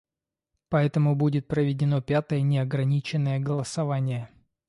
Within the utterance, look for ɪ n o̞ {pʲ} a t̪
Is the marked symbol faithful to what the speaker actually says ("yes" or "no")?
yes